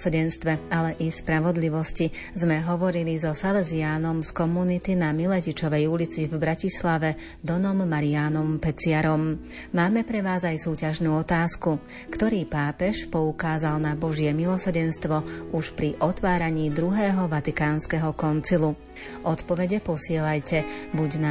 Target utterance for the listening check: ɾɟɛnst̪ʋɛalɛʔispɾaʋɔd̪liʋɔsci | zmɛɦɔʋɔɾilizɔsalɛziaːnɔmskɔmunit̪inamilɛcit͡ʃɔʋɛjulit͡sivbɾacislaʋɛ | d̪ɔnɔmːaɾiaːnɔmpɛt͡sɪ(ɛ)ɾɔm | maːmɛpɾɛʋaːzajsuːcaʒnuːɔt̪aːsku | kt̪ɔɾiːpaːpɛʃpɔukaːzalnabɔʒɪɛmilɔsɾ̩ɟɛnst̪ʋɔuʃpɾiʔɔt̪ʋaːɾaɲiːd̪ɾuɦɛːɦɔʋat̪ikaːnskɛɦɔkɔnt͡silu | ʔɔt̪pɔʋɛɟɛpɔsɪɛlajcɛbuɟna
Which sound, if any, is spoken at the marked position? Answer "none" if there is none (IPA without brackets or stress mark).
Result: a